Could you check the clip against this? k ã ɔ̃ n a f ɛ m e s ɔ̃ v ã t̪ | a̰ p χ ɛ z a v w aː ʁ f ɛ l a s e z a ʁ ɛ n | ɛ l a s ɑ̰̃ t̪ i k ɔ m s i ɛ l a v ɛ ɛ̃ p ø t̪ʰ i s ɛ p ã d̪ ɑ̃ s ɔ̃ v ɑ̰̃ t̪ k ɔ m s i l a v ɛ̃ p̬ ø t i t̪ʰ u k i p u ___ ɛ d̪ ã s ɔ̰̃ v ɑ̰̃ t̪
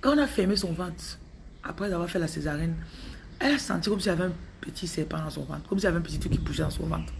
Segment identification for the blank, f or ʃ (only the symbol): ʃ